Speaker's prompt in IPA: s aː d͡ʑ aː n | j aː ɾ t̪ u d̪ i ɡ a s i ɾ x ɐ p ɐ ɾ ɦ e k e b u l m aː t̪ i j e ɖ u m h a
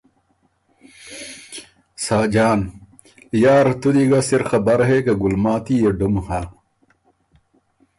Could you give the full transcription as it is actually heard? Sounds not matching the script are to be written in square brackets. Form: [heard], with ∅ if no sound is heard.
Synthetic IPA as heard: s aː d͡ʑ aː n | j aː ɾ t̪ u d̪ i ɡ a s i ɾ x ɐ [b] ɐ ɾ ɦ e k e [ɡ] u l m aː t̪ i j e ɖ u m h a